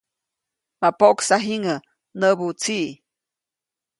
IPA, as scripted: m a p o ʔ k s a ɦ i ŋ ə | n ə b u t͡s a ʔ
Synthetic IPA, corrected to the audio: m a p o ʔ k s a ɦ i ŋ ə | n ə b u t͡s i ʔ